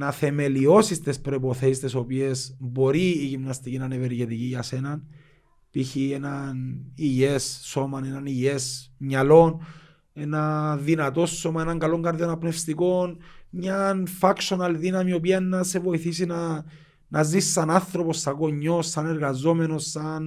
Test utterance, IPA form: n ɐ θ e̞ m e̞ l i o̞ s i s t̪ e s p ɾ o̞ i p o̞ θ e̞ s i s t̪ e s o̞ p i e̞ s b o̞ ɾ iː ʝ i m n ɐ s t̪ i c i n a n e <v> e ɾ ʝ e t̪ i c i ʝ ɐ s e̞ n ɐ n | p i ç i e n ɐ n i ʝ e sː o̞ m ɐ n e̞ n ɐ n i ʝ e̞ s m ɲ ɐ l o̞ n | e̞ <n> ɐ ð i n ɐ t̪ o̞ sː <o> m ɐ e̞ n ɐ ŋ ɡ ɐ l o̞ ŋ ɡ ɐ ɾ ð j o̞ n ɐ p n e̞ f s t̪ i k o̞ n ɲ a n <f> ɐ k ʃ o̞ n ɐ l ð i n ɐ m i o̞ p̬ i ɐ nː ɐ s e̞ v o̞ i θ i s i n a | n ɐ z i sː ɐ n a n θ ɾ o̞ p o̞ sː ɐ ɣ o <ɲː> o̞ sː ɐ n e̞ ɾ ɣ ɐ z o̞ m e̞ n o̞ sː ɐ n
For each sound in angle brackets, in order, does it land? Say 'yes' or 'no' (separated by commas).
yes, yes, yes, yes, yes